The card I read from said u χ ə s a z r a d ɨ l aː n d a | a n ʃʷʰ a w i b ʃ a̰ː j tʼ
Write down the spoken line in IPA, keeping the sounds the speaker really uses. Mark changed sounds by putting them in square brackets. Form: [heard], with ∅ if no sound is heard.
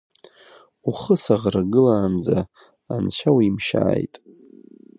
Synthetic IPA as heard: u χ ə s a [ʁ] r a [ɡ] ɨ l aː n [d͡z] a | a n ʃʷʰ a w i [m] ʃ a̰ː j tʼ